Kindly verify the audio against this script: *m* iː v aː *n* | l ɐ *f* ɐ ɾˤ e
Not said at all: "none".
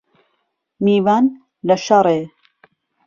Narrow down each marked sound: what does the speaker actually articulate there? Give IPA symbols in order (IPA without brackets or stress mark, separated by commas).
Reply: m, n, ʃ